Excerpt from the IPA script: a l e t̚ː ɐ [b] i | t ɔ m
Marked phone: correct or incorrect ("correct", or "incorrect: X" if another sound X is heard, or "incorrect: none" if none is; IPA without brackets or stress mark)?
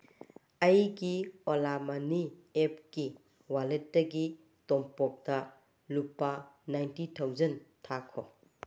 incorrect: ɡ